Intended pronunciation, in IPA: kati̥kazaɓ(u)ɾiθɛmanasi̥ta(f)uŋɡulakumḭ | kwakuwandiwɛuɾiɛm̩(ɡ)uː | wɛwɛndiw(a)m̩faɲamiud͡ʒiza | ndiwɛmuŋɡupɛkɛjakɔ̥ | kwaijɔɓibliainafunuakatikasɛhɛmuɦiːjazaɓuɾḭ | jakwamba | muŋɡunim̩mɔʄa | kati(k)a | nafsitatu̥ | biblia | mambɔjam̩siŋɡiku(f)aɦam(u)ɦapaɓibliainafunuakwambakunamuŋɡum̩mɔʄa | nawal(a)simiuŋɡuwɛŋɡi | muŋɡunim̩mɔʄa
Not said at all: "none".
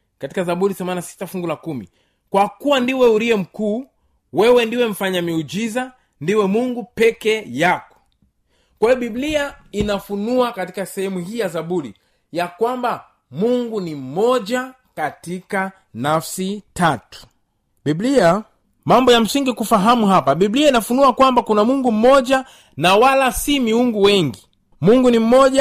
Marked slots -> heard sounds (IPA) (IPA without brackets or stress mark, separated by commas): u, f, k, ɛ, k, f, u, a